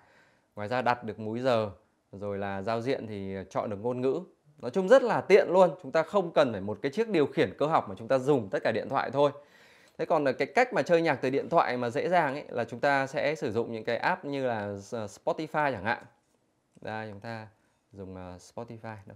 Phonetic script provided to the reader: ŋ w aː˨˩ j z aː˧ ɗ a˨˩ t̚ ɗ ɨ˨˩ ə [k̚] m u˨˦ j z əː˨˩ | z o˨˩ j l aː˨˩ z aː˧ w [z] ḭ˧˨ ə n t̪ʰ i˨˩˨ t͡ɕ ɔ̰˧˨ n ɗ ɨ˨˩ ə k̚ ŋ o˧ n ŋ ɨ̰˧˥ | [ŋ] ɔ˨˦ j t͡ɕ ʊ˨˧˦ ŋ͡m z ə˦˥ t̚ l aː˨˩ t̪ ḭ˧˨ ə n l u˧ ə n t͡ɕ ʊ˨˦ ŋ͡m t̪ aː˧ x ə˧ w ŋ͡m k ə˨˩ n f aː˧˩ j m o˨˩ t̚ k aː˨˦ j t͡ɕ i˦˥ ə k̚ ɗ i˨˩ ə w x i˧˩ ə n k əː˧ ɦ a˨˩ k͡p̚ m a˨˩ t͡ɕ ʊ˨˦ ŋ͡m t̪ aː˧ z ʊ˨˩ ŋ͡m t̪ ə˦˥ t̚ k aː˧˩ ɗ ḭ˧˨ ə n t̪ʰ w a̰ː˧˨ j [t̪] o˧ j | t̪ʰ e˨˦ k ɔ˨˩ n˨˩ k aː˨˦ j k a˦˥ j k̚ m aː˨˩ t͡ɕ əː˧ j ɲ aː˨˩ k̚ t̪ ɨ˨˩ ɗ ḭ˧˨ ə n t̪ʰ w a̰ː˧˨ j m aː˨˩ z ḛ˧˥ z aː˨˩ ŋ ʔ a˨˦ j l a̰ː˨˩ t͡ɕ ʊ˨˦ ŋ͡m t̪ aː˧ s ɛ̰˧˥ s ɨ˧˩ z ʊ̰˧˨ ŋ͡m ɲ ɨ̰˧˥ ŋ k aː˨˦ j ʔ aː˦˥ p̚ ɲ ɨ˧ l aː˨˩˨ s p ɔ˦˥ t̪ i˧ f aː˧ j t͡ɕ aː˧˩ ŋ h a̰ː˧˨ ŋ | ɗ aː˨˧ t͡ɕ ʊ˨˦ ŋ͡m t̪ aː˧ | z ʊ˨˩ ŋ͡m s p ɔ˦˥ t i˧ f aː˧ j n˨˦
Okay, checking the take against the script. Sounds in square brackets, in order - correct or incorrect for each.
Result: correct, correct, incorrect, incorrect

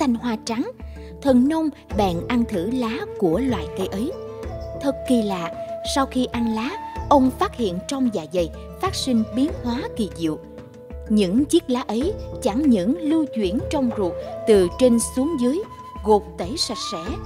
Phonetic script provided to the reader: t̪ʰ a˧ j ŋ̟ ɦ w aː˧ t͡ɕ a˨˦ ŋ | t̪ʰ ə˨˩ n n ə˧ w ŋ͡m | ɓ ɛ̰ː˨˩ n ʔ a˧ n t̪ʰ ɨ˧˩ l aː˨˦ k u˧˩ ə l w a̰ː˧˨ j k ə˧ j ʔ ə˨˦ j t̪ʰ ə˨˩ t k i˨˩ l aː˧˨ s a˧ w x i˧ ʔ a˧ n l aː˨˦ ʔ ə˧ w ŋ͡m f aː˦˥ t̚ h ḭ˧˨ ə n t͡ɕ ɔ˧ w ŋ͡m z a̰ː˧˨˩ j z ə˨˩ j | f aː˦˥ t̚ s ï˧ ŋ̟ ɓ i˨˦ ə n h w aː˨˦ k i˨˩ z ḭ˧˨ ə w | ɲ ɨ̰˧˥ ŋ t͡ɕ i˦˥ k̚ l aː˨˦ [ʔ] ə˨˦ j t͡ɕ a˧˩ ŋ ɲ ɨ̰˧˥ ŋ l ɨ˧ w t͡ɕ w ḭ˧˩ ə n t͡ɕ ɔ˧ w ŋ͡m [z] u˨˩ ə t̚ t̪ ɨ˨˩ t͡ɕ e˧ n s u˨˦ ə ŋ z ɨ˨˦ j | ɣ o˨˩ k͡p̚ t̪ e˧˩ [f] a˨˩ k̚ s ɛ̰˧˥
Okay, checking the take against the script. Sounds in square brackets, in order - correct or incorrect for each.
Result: correct, correct, incorrect

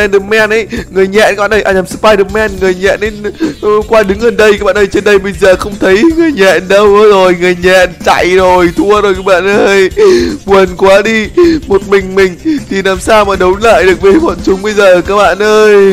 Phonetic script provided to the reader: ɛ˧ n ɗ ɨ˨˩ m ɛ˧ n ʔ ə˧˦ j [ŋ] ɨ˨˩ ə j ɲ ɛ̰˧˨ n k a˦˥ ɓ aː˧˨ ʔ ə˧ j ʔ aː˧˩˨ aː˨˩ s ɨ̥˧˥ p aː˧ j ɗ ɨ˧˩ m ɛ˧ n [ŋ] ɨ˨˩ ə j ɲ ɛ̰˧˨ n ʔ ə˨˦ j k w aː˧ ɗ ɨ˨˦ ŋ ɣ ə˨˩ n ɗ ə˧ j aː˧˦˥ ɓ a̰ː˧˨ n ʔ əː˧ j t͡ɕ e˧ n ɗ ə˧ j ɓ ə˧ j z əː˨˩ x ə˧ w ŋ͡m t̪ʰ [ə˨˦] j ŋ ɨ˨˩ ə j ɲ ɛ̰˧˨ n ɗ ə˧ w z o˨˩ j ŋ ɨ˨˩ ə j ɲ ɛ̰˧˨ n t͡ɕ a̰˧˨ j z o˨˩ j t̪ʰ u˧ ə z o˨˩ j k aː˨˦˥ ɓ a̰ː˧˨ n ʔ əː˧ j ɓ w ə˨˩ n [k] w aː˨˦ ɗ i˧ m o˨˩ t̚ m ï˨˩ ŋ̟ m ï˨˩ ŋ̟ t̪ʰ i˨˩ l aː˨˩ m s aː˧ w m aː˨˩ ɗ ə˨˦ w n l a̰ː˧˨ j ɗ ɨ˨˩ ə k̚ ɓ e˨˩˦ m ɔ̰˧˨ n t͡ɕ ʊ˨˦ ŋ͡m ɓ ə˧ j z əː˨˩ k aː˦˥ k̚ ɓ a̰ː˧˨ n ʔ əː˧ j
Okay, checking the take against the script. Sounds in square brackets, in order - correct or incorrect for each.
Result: correct, correct, correct, correct

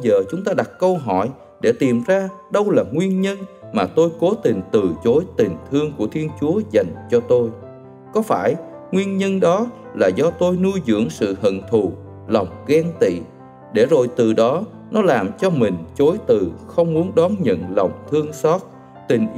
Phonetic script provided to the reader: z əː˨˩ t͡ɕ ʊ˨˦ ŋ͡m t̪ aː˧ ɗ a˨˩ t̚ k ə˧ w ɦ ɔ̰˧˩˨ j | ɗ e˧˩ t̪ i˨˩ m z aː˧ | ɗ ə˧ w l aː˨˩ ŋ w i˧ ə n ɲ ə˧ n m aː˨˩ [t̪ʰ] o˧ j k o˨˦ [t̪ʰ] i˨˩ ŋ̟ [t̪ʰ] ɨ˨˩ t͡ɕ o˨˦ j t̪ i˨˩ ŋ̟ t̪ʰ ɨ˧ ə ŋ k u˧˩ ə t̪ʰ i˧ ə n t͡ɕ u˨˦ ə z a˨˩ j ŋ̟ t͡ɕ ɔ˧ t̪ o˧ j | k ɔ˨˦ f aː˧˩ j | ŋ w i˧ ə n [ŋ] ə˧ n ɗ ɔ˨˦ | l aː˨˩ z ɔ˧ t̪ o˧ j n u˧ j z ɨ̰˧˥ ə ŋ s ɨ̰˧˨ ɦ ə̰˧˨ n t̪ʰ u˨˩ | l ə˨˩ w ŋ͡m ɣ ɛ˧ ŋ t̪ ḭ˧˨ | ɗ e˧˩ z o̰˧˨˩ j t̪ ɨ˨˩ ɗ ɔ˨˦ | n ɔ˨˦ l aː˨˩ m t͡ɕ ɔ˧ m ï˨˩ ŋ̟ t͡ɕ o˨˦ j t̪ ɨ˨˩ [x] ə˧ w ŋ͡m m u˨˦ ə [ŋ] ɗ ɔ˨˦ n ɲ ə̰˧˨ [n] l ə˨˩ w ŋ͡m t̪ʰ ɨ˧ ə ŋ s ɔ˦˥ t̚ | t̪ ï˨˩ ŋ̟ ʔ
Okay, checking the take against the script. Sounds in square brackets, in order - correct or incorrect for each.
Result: incorrect, incorrect, incorrect, incorrect, correct, incorrect, correct

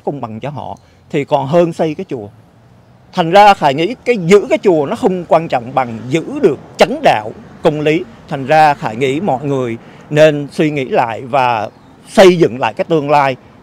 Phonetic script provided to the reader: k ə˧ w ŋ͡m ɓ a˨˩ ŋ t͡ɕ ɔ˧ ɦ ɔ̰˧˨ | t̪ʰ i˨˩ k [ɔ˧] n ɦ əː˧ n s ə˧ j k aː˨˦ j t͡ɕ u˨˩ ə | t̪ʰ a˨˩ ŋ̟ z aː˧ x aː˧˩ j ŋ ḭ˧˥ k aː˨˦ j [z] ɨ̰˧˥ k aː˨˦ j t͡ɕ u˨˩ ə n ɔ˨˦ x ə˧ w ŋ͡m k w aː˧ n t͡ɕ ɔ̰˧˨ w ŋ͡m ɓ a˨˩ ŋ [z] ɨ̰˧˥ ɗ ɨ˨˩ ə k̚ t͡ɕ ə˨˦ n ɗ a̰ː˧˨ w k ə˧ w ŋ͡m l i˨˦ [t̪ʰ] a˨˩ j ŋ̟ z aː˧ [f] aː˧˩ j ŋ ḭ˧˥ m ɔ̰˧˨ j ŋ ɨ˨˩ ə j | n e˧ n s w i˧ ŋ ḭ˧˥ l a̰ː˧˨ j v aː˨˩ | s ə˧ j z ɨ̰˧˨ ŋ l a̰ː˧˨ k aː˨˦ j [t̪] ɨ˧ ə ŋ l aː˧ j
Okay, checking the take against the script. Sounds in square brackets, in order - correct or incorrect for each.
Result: incorrect, correct, correct, correct, incorrect, correct

